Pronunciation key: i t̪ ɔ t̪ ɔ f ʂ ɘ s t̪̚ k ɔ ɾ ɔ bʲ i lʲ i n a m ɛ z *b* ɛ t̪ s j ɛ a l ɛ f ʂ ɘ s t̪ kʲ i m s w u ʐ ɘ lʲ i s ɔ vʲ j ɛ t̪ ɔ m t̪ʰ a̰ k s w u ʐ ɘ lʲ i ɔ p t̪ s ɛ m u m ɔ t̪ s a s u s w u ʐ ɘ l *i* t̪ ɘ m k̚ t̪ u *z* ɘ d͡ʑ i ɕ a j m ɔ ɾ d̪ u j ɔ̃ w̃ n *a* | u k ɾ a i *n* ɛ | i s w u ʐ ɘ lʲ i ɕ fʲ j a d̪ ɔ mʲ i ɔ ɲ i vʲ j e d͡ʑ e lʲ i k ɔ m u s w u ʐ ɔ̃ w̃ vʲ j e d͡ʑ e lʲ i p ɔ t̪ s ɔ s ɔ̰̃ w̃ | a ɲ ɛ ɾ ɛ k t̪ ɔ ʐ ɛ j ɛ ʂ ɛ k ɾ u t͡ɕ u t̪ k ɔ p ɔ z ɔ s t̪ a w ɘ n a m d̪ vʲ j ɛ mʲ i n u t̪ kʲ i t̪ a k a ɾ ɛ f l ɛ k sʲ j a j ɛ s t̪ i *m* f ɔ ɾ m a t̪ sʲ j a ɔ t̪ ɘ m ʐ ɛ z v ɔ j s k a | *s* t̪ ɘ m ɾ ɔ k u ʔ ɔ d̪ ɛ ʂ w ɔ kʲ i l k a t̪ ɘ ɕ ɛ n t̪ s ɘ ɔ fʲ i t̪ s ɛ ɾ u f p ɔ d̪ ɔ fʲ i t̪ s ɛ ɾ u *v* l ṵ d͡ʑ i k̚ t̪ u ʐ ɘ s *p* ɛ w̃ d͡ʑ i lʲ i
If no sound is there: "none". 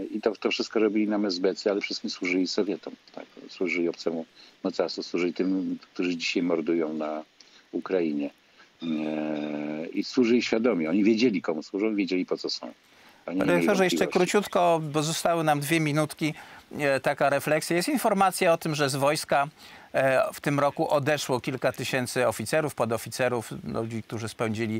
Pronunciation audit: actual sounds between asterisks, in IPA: b, i, ʐ, a, ɲ, n, f, f, p

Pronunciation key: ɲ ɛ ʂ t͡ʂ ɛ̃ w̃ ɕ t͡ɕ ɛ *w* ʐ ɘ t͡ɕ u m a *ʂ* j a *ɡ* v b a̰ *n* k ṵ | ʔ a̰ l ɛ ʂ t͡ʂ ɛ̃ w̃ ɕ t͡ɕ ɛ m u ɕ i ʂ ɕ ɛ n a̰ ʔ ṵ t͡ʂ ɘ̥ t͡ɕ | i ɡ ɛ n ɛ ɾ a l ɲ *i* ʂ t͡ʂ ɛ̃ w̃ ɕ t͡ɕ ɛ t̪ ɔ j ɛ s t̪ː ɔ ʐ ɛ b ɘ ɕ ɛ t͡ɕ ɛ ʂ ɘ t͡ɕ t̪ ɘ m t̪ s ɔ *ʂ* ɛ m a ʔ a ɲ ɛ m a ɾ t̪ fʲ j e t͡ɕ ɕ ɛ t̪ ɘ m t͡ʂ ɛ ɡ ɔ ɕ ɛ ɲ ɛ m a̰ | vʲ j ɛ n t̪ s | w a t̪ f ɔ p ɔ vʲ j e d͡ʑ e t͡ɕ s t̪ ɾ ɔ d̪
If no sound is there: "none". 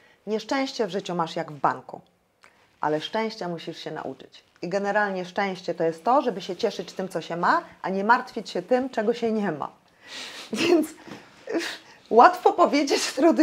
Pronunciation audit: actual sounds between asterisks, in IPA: v, ʂ, ɡ, ŋ, ɛ, ɕ

